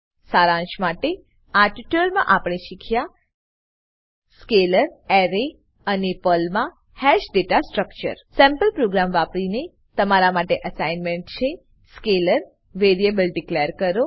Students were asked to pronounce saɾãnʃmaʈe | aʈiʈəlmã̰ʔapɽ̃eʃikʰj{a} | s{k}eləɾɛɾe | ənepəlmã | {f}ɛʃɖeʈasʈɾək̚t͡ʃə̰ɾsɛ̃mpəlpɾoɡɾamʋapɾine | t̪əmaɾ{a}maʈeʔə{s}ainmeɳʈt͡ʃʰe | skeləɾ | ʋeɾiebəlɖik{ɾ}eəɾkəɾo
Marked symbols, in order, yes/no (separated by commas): yes, yes, no, yes, yes, no